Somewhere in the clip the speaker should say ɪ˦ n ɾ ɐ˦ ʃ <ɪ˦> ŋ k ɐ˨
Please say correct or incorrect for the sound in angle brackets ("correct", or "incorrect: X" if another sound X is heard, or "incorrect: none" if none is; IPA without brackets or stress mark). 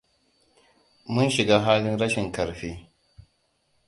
incorrect: ɪ˨